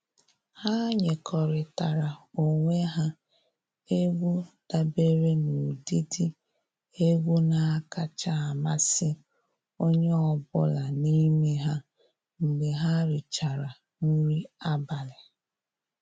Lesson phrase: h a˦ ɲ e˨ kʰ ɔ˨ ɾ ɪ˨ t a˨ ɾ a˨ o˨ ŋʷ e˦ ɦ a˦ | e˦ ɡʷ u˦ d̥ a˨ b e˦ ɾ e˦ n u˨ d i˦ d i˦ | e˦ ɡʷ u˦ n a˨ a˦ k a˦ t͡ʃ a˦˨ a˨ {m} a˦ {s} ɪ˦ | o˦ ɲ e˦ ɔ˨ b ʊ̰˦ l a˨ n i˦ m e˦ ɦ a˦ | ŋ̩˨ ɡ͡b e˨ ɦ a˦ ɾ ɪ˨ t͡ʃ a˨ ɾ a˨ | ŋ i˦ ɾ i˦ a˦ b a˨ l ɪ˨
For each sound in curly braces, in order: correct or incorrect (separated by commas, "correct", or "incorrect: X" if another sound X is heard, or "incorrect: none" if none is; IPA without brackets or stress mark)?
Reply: correct, correct